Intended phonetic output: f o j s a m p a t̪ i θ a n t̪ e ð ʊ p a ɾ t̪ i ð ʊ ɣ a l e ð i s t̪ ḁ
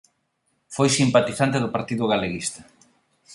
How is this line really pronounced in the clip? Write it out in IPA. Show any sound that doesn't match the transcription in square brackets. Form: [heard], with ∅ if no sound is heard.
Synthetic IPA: f o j s [i] m p a t̪ i θ a n t̪ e ð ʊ p a ɾ t̪ i ð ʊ ɣ a l e [ɣ] i s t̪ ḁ